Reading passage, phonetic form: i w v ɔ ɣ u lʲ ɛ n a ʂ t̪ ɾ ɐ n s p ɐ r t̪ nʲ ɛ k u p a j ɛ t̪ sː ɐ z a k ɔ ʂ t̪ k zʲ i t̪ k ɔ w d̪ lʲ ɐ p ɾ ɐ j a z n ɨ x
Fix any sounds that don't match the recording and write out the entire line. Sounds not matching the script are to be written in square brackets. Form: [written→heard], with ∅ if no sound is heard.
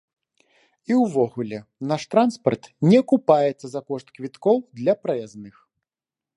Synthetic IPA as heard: i w v ɔ ɣ u lʲ ɛ n a ʂ t̪ ɾ [ɐ→a] n s p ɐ r t̪ nʲ ɛ k u p a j ɛ t̪ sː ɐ z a k ɔ ʂ t̪ k [zʲ→vʲ] i t̪ k ɔ w d̪ lʲ ɐ p ɾ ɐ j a z n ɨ x